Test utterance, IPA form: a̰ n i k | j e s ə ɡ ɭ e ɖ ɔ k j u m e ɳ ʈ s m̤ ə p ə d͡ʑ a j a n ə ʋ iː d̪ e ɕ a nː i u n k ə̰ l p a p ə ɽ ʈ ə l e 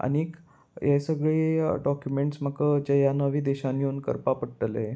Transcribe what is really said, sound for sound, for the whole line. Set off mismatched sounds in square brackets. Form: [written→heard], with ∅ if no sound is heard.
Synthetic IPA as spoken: a̰ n i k | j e s ə ɡ ɭ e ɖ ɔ k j u m e ɳ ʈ s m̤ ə [p→k] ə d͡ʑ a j a n ə ʋ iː d̪ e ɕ a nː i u n k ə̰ [l→ɾ] p a p ə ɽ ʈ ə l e